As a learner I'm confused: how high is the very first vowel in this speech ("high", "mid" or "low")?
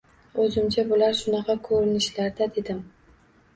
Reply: mid